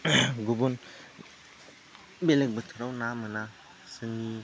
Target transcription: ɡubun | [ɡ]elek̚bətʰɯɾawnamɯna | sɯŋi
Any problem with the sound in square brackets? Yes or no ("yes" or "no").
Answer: yes